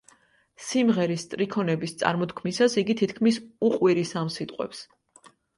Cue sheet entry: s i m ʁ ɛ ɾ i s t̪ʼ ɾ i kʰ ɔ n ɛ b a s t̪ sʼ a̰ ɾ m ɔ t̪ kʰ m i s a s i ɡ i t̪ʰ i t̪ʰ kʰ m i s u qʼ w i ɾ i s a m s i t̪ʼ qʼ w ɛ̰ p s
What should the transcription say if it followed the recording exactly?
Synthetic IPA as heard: s i m ʁ ɛ ɾ i s t̪ʼ ɾ i kʰ ɔ n ɛ b i s t̪ sʼ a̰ ɾ m ɔ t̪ kʰ m i s a s i ɡ i t̪ʰ i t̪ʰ kʰ m i s u qʼ w i ɾ i s a m s i t̪ʼ qʼ w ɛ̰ p s